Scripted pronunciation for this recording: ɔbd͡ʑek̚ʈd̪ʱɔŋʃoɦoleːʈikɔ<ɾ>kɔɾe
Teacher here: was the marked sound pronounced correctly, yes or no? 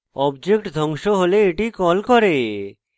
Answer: no